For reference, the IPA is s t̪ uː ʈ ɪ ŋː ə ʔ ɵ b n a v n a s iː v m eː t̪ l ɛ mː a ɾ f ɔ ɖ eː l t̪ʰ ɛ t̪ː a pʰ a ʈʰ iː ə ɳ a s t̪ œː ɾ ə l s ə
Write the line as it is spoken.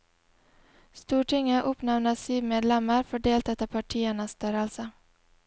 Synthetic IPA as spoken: s t̪ uː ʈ ɪ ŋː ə ʔ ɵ p n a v n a s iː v m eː d̪ l ɛ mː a ɾ f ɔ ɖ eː l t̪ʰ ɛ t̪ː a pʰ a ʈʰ iː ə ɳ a s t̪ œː ɾ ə l s ə